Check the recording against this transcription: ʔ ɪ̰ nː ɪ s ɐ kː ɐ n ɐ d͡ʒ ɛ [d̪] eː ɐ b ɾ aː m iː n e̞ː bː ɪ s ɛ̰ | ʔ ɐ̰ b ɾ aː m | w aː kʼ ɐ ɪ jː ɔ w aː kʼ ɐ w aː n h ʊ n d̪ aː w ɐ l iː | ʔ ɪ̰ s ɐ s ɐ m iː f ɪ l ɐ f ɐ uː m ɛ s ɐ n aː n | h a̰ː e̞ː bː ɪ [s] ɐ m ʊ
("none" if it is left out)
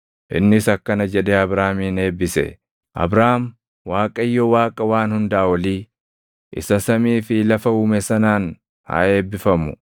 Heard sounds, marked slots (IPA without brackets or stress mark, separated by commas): d̪, f